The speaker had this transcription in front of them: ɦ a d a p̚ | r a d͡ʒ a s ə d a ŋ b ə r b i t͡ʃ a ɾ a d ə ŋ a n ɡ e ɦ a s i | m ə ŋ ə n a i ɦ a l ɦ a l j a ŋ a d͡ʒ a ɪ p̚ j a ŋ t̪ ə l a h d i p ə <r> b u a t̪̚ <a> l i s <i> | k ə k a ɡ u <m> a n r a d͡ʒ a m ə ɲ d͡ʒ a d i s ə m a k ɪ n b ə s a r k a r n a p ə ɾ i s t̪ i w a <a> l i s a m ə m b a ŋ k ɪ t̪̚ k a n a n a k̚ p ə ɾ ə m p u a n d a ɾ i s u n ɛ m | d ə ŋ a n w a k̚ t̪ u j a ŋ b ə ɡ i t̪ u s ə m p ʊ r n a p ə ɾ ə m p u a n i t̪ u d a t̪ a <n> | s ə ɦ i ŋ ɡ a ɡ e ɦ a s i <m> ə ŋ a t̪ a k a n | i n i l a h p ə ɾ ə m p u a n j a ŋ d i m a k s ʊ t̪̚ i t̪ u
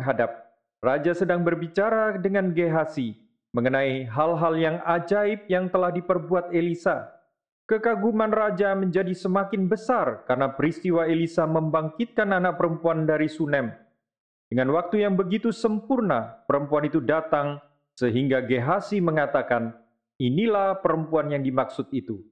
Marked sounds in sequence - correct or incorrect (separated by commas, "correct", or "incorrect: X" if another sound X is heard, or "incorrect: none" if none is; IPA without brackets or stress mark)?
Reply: correct, incorrect: e, incorrect: a, correct, incorrect: e, incorrect: ŋ, correct